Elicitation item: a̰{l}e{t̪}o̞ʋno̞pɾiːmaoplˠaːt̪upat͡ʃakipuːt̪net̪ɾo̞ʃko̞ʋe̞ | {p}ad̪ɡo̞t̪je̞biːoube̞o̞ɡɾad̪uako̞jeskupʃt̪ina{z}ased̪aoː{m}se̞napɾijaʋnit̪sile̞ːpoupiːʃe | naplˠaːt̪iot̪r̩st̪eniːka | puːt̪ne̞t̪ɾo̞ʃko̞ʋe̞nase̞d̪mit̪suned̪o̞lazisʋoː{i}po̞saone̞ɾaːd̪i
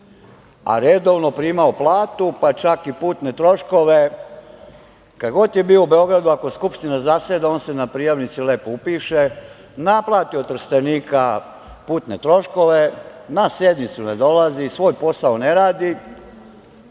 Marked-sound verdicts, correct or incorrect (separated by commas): incorrect, incorrect, incorrect, correct, incorrect, incorrect